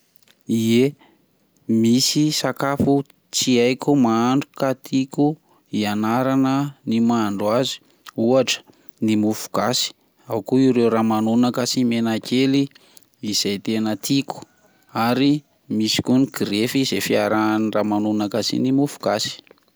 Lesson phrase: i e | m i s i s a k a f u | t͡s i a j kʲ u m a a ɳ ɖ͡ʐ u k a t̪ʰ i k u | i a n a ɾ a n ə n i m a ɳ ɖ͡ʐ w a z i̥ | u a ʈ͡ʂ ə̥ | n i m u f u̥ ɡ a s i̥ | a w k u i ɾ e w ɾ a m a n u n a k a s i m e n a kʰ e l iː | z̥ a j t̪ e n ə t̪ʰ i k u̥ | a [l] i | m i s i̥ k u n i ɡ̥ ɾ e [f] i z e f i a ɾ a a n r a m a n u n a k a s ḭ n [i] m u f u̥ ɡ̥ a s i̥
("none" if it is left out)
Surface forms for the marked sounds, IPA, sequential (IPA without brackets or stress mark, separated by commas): ɾ, f, i